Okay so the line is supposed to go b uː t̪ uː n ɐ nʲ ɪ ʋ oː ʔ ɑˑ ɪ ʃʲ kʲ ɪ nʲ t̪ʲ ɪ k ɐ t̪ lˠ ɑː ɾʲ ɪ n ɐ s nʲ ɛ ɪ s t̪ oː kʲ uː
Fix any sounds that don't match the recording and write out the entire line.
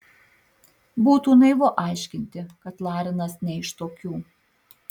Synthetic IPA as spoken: b uː t̪ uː n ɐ ɪ ʋ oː ʔ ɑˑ ɪ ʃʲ kʲ ɪ nʲ t̪ʲ ɪ k ɐ t̪ lˠ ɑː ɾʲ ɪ n ɐ s nʲ ɛ ɪ ʃ t̪ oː kʲ uː

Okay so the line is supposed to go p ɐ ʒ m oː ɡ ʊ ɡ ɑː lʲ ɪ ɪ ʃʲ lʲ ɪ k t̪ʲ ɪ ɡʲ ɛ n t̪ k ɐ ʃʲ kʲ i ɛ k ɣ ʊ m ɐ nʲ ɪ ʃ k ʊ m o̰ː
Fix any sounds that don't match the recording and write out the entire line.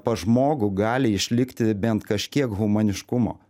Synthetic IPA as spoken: p ɐ ʒ m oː ɡ ʊ ɡ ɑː lʲ ɪ ɪ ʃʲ lʲ ɪ k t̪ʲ ɪ bʲ ɛ n t̪ k ɐ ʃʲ kʲ i ɛ k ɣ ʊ m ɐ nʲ ɪ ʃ k ʊ m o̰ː

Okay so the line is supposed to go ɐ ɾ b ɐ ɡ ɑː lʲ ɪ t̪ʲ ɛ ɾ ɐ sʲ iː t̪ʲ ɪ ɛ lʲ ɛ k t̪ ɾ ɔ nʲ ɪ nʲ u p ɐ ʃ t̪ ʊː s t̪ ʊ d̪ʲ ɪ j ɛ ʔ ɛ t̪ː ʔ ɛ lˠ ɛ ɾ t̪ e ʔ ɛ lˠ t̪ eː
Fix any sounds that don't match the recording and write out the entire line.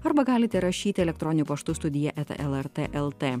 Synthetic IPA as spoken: ɐ ɾ b ɐ ɡ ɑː lʲ ɪ t̪ʲ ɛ ɾ ɐ ʃʲ iː t̪ʲ ɪ ɛ lʲ ɛ k t̪ ɾ ɔ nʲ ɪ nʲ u p ɐ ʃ t̪ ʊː s t̪ ʊ d̪ʲ ɪ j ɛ ʔ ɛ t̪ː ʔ ɛ lˠ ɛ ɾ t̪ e ʔ ɛ lˠ t̪ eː

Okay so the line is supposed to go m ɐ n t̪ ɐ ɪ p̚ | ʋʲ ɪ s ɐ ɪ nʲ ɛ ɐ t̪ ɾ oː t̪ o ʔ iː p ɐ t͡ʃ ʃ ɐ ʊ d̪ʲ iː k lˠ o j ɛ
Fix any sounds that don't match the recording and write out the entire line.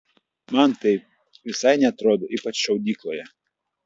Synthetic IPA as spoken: m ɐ n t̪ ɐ ɪ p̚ | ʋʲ ɪ s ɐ ɪ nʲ ɛ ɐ t̪ ɾ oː d̪ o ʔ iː p ɐ t͡ʃ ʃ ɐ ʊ d̪ʲ iː k lˠ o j ɛ

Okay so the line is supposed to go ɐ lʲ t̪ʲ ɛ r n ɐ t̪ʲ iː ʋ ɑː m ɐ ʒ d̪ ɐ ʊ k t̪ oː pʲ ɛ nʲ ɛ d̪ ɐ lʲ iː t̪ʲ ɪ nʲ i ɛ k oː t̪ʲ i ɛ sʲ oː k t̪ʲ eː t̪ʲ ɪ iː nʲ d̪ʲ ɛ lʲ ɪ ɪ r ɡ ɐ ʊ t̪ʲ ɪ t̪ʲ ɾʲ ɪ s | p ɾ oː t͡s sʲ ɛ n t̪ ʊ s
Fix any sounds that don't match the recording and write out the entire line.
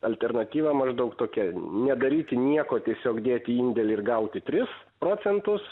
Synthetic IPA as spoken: ɐ lʲ t̪ʲ ɛ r n ɐ t̪ʲ iː ʋ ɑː m ɐ ʒ d̪ ɐ ʊ k t̪ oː kʲ ɛ nʲ ɛ d̪ ɐ ɾʲ iː t̪ʲ ɪ nʲ i ɛ k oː t̪ʲ i ɛ sʲ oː k d̪ʲ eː t̪ʲ ɪ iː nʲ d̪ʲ ɛ lʲ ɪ ɪ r ɡ ɐ ʊ t̪ʲ ɪ t̪ʲ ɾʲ ɪ s | p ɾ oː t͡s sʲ ɛ n t̪ ʊ s

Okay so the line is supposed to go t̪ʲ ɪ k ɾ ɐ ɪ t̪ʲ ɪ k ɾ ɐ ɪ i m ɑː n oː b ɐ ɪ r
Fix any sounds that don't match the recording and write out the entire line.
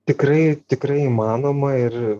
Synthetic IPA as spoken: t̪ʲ ɪ k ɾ ɐ ɪ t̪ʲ ɪ k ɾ ɐ ɪ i m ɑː n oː m ɐ ɪ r

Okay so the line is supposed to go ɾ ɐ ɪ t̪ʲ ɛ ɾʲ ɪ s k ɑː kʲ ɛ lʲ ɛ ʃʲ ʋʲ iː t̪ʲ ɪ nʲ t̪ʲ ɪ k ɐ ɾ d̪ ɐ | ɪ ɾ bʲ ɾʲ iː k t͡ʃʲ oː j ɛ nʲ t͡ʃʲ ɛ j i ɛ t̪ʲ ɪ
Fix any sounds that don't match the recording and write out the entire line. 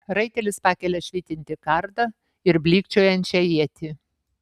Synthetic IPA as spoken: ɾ ɐ ɪ t̪ʲ ɛ lʲ ɪ s p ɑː kʲ ɛ lʲ ɛ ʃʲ ʋʲ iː t̪ʲ ɪ nʲ t̪ʲ ɪ k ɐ ɾ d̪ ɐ | ɪ ɾ bʲ lʲ iː k t͡ʃʲ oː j ɛ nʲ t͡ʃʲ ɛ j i ɛ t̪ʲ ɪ

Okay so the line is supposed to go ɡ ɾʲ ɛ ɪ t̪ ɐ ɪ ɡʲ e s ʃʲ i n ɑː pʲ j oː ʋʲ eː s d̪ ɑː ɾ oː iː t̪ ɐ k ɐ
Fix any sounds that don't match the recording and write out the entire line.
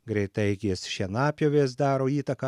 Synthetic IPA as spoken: ɡ ɾʲ ɛ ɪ t̪ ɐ ɪ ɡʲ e s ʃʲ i n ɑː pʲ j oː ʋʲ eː s d̪ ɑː ɾ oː iː t̪ ɐ k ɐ

